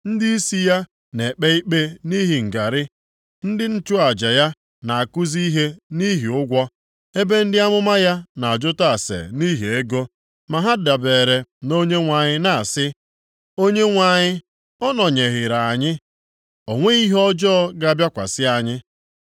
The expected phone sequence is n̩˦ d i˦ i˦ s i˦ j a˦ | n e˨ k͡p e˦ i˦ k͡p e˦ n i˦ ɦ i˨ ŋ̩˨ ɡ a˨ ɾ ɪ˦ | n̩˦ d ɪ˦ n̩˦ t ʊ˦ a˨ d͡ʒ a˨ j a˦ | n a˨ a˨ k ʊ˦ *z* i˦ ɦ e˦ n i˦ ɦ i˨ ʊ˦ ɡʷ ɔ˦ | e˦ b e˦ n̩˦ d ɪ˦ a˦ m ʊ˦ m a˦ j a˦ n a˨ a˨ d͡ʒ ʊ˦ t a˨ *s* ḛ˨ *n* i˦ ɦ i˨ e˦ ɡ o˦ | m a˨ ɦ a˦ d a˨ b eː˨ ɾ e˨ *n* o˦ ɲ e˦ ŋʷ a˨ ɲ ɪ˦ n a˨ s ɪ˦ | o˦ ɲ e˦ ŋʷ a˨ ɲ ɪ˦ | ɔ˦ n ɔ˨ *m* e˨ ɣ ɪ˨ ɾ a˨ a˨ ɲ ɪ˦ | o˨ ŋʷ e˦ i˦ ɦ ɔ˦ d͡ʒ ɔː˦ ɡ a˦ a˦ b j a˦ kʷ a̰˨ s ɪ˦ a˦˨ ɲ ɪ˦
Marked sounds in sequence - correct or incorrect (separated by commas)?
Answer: correct, correct, correct, correct, incorrect